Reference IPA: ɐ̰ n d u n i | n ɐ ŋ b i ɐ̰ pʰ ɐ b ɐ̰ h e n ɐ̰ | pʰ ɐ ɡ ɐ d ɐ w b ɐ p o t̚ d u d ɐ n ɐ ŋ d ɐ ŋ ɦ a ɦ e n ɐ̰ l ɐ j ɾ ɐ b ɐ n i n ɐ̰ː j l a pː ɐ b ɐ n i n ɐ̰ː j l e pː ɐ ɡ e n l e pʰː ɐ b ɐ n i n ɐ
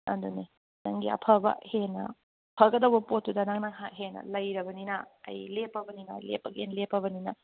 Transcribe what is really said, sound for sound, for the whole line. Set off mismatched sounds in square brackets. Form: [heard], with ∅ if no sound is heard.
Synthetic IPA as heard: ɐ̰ n d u n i | n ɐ ŋ [ɡ] i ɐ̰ pʰ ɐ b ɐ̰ h e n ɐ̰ | pʰ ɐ ɡ ɐ d ɐ w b ɐ p o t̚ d u d ɐ n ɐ ŋ [n] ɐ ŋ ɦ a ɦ e n ɐ̰ l ɐ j ɾ ɐ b ɐ n i n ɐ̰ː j l [e] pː ɐ b ɐ n i n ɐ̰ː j l e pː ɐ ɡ e n l e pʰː ɐ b ɐ n i n ɐ